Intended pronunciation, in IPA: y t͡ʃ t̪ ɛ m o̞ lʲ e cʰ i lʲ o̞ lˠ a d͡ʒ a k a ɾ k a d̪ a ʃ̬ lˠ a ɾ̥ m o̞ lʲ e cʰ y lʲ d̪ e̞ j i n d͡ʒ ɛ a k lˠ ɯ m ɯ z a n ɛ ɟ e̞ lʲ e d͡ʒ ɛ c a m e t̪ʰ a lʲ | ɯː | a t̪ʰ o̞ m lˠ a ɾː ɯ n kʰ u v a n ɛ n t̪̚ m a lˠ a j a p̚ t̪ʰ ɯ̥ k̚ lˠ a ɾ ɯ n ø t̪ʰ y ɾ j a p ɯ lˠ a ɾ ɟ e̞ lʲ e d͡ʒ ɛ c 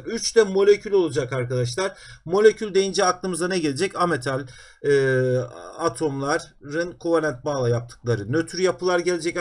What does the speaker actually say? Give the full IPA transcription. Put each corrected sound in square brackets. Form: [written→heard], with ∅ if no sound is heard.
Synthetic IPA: y t͡ʃ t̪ ɛ m o̞ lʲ e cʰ [i→y] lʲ o̞ lˠ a d͡ʒ a k a ɾ k a d̪ a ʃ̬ lˠ a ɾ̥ m o̞ lʲ e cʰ y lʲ d̪ e̞ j i n d͡ʒ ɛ a k lˠ ɯ m ɯ z a n ɛ ɟ e̞ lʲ e d͡ʒ ɛ c a m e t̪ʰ a lʲ | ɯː | a t̪ʰ o̞ m lˠ a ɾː ɯ n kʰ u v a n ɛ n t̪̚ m a lˠ a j a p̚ t̪ʰ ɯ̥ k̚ lˠ a ɾ ɯ n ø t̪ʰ y ɾ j a p ɯ lˠ a ɾ ɟ e̞ lʲ e d͡ʒ ɛ c